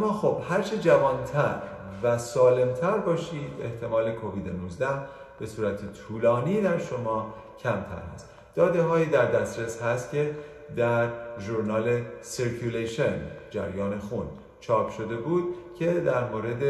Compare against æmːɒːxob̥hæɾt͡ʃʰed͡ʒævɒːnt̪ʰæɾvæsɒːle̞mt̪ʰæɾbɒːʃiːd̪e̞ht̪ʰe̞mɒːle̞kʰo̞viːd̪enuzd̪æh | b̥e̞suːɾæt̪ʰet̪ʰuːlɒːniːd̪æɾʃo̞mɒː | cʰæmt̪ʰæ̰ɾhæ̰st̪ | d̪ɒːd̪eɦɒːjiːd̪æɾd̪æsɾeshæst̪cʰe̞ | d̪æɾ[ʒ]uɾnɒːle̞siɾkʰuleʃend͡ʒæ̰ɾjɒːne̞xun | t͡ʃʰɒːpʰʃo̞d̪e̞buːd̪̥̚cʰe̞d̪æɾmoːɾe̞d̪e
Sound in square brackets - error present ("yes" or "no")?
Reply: no